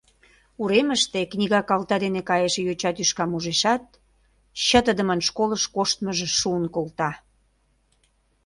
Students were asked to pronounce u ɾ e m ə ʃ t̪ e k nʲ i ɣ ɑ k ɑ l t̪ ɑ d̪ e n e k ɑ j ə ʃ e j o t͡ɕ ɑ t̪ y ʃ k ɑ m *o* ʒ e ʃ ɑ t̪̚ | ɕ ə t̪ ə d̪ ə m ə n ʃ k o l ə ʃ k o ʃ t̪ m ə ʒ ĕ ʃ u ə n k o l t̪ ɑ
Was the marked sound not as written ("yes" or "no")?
yes